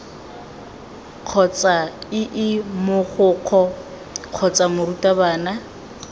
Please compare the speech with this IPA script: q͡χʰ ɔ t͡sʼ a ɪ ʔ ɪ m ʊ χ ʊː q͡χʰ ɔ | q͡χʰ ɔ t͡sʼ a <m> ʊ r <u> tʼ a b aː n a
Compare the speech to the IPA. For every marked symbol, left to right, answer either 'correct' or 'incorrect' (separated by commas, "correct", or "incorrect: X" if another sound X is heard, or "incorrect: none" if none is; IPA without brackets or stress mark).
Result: correct, correct